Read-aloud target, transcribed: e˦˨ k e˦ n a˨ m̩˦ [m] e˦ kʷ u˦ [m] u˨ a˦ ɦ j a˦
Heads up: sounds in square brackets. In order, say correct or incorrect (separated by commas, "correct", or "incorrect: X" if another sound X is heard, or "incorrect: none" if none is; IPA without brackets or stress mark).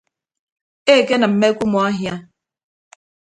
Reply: correct, correct